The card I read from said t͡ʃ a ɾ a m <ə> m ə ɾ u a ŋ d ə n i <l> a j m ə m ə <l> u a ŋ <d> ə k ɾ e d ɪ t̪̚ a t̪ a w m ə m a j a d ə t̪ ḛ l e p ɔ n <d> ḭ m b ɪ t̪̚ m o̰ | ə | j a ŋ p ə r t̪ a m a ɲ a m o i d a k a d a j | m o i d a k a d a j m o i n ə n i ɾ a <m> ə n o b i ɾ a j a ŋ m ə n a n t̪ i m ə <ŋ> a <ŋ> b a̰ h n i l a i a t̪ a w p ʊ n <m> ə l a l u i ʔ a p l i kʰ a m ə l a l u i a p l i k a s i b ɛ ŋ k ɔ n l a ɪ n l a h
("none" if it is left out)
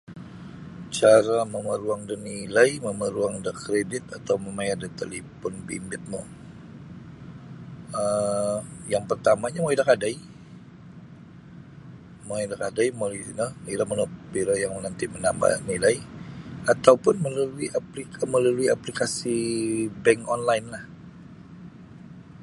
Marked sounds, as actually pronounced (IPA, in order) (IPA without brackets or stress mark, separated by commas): ə, l, ɾ, d, b, m, n, m, m